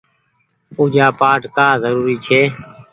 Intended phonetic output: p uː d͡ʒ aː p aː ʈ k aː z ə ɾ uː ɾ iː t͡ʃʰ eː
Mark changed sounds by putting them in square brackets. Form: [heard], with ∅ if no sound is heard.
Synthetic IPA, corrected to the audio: p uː d͡ʒ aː p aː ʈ k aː z ə ɾ uː ɾ iː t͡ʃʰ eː